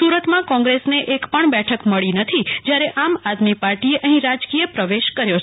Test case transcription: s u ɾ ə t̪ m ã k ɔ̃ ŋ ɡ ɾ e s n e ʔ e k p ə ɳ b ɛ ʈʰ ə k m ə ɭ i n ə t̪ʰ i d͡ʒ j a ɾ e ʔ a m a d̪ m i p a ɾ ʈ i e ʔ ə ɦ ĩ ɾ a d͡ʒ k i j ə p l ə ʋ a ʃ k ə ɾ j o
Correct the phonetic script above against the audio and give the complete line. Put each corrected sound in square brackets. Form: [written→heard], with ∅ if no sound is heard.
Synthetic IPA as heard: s u ɾ ə t̪ m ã k ɔ̃ ŋ ɡ ɾ e s n e ʔ e k p ə ɳ b ɛ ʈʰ ə k m ə ɭ i n ə t̪ʰ i d͡ʒ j a ɾ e ʔ a m a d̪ m i p a ɾ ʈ i e ʔ ə ɦ ĩ ɾ a d͡ʒ k i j ə p [l→ɾ] ə ʋ [a→e] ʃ k ə ɾ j o